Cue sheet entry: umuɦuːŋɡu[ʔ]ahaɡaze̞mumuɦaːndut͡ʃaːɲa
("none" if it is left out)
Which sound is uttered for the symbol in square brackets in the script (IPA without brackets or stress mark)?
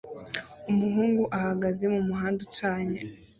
ʔ